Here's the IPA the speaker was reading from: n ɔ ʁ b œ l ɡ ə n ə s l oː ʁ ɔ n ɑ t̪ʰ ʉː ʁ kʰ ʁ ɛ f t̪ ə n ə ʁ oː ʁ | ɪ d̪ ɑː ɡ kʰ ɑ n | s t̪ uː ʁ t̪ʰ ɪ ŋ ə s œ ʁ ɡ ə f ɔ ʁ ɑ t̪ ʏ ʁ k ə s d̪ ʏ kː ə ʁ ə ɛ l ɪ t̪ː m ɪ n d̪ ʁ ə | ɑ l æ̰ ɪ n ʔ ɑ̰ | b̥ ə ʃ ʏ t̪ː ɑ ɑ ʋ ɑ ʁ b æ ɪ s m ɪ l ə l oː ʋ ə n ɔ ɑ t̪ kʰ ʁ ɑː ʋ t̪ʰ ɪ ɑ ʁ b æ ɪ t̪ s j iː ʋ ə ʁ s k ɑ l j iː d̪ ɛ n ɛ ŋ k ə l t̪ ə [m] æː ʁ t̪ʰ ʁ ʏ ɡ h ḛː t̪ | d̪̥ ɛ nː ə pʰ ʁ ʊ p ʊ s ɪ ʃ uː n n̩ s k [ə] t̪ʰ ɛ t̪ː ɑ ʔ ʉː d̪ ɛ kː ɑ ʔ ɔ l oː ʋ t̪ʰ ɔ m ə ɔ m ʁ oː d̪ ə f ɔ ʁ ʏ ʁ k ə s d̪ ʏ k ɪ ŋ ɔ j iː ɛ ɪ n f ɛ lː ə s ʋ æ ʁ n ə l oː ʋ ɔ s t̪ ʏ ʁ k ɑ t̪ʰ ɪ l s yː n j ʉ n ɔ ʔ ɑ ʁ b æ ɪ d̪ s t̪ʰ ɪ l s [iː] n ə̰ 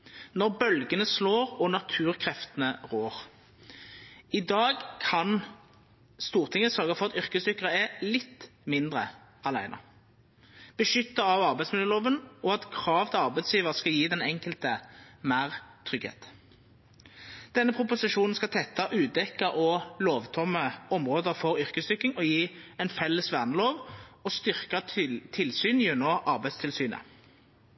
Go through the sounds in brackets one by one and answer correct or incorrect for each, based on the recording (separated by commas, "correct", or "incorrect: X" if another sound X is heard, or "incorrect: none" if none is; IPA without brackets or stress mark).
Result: correct, incorrect: ɑ, incorrect: yː